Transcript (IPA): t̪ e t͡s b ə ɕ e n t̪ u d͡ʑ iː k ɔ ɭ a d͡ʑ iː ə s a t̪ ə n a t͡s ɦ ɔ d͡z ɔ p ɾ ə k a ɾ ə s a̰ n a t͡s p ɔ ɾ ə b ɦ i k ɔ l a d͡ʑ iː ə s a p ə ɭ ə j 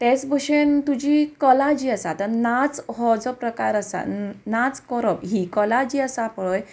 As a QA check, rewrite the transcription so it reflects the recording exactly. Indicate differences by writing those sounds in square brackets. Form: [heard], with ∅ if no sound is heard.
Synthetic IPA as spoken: t̪ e t͡s b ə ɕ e n t̪ u d͡ʑ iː k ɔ [l] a d͡ʑ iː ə s a t̪ ə n a t͡s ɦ ɔ d͡z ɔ p ɾ ə k a ɾ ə s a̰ n a t͡s [k] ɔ ɾ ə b ɦ i k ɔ l a d͡ʑ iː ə s a p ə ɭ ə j